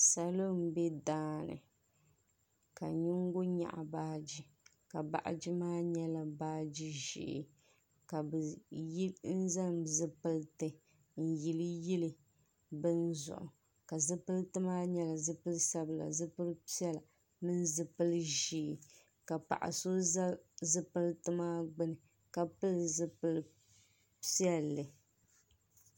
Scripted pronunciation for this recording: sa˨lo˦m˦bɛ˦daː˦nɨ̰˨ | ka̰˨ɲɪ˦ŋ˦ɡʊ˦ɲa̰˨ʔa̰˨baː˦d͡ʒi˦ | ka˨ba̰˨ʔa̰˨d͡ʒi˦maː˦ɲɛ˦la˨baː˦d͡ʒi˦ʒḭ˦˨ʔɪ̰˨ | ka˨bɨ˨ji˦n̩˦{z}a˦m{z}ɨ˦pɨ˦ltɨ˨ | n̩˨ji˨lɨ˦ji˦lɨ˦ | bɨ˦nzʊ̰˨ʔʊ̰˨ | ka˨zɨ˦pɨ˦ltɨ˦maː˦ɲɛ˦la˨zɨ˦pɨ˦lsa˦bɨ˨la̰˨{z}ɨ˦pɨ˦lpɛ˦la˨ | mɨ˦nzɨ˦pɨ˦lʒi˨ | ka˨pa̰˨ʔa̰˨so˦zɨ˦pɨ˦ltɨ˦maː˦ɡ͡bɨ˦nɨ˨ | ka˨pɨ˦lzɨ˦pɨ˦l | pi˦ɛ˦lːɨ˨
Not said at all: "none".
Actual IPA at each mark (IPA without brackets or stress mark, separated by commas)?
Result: z, z, z